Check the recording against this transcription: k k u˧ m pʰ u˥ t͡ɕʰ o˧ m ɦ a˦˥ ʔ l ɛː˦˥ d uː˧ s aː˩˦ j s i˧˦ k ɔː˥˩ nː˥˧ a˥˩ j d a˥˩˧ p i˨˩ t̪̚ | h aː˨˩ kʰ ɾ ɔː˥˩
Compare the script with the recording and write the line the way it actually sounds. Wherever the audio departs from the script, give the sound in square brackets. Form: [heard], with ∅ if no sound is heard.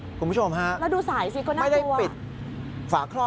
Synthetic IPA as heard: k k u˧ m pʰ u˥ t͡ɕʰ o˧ m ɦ a˦˥ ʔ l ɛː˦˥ d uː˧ s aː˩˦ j s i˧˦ k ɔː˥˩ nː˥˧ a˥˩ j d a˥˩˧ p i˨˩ t̪̚ | [f] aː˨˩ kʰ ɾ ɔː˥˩